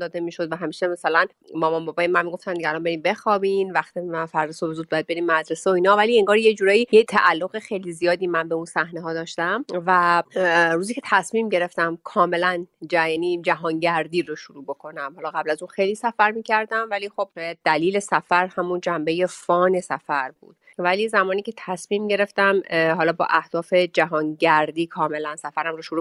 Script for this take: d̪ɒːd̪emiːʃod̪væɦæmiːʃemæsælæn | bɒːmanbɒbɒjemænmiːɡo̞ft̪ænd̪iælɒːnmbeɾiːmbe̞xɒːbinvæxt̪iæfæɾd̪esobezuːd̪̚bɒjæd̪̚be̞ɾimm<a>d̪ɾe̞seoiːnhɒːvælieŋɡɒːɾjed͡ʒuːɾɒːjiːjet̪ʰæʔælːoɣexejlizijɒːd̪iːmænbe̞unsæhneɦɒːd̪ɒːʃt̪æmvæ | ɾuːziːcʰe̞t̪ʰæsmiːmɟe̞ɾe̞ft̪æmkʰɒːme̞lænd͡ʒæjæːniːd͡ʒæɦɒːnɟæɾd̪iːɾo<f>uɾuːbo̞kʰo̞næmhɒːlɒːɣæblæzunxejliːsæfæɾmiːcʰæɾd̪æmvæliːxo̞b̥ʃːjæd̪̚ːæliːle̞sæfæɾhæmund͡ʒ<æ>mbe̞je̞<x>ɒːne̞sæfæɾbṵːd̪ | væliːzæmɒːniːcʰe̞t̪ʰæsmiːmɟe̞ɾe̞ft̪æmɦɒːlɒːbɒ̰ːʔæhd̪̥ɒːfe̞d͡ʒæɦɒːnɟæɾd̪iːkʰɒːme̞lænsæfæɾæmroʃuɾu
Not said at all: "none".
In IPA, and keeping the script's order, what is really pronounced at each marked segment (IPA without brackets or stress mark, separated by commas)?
æ, ʃ, æ, f